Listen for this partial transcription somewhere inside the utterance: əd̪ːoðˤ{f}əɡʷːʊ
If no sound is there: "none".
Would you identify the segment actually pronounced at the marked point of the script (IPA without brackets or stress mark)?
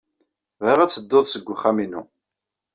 s